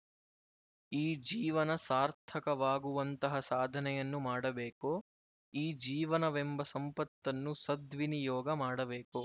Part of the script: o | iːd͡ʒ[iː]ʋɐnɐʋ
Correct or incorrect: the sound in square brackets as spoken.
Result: correct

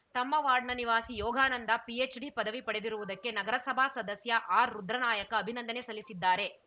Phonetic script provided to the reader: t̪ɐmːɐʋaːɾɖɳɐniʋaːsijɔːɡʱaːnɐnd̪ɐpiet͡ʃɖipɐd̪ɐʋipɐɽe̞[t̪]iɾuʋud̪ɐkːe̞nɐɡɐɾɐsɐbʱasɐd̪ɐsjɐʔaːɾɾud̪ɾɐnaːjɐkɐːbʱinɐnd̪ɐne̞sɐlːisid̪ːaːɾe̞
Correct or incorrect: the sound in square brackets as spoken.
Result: incorrect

